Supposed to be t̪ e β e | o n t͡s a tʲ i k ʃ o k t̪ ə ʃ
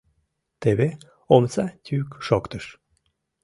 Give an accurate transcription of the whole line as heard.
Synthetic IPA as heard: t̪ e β e | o m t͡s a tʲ y k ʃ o k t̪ ə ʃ